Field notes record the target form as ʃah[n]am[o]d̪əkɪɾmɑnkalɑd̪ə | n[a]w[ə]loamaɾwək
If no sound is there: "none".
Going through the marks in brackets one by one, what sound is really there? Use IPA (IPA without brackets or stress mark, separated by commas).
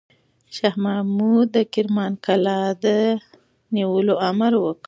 m, u, i, ə